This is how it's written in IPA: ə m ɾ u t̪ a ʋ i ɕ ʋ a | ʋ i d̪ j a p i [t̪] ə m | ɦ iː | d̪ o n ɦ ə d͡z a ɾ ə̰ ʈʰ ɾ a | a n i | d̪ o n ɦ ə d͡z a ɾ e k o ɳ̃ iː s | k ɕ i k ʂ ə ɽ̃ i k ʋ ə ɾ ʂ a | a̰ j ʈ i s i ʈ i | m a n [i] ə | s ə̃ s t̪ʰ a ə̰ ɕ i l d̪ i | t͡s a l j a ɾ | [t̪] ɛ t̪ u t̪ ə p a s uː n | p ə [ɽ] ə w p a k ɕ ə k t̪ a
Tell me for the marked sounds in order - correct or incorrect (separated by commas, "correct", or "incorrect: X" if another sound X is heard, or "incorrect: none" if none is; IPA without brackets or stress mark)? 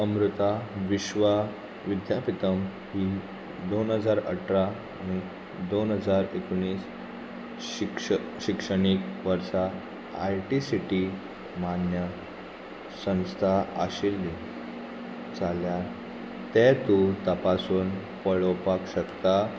correct, incorrect: j, correct, incorrect: ɭ